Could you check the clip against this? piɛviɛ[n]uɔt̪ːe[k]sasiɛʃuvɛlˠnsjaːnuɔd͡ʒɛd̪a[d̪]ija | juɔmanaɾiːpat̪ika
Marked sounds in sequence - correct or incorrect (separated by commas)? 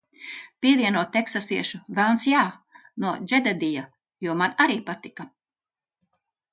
correct, correct, correct